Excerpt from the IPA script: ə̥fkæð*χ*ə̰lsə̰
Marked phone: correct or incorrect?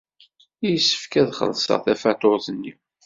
correct